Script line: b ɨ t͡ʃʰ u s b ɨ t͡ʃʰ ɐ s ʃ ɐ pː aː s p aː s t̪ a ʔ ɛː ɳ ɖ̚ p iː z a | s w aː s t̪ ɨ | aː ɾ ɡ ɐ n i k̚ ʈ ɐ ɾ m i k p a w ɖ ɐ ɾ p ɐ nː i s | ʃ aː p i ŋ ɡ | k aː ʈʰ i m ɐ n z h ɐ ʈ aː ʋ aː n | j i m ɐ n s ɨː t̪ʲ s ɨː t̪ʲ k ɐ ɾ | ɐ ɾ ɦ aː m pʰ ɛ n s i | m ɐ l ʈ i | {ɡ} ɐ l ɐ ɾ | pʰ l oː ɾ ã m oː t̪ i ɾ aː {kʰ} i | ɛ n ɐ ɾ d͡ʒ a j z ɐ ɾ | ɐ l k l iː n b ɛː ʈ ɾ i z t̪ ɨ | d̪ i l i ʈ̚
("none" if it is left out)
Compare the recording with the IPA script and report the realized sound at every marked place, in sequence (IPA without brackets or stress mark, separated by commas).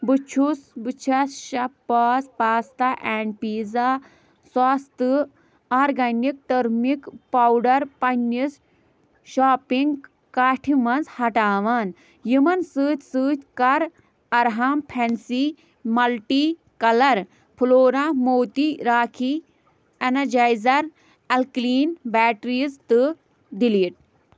k, kʰ